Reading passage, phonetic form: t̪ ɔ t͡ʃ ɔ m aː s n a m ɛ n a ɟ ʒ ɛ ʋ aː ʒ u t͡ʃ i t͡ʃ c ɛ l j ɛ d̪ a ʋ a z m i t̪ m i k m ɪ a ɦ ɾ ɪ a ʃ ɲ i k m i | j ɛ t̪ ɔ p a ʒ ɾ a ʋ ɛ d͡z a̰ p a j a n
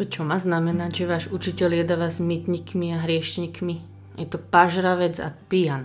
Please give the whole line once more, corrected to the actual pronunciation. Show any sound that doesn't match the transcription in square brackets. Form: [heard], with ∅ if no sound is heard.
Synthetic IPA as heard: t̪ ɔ t͡ʃ ɔ m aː [z] n a m ɛ n a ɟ ʒ ɛ ʋ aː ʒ u t͡ʃ i [∅] c ɛ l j ɛ d̪ a ʋ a z m i t̪ [ɲ] i k m [i] a ɦ ɾ ɪ [ɛ] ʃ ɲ i k m i | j ɛ t̪ ɔ p a ʒ ɾ a ʋ ɛ d͡z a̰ p [i] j a n